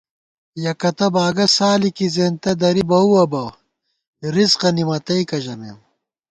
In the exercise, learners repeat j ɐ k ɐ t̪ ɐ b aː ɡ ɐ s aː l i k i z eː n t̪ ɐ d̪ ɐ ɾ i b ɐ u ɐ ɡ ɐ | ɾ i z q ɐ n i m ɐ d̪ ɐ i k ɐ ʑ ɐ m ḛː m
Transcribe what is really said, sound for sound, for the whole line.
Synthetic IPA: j ɐ k ɐ t̪ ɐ b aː ɡ ɐ s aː l i k i z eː n t̪ ɐ d̪ ɐ ɾ i b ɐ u ɐ b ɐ | ɾ i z q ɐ n i m ɐ t̪ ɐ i k ɐ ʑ ɐ m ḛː m